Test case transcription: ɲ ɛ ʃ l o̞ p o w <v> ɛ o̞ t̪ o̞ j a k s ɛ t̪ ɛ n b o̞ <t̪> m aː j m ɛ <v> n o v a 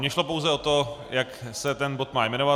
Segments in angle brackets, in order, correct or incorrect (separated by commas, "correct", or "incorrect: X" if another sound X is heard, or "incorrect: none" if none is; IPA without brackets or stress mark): incorrect: z, correct, incorrect: none